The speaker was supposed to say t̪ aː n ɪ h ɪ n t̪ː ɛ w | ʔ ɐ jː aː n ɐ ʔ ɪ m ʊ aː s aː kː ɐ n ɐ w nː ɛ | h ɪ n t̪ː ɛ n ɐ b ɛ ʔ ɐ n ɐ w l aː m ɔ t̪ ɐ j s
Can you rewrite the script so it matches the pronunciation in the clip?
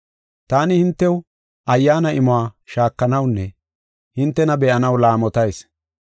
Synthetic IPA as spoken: t̪ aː n ɪ h ɪ n t̪ː ɛ w | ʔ ɐ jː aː n ɐ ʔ ɪ m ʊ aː ʃ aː kː ɐ n ɐ w nː ɛ | h ɪ n t̪ː ɛ n ɐ b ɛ ʔ ɐ n ɐ w l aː m ɔ t̪ ɐ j s